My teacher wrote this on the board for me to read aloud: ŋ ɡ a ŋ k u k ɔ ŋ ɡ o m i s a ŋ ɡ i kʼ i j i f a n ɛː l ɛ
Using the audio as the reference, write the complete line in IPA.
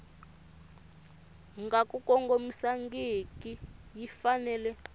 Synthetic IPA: ŋ ɡ a k u k ɔ ŋ ɡ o m i s a ŋ ɡ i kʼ i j i f a n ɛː l ɛ